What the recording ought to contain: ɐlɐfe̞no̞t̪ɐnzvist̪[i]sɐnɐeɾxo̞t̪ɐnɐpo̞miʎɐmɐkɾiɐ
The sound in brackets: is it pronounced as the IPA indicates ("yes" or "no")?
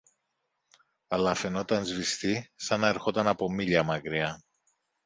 yes